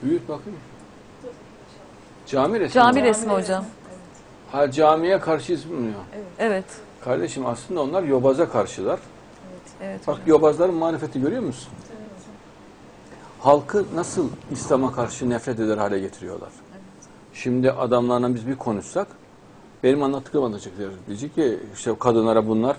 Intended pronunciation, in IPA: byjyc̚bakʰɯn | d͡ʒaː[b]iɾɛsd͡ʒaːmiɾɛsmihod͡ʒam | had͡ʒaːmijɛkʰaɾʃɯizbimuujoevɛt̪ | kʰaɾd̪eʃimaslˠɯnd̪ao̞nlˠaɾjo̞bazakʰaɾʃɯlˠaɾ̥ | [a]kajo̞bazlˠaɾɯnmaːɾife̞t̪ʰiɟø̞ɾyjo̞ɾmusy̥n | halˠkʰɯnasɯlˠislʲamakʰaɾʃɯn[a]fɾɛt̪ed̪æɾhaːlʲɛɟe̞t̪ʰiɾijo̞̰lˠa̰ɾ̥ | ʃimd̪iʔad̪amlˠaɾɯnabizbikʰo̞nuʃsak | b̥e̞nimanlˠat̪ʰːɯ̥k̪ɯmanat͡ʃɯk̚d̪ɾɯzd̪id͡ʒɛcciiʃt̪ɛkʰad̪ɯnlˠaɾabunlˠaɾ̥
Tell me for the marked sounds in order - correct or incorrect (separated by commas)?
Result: incorrect, correct, incorrect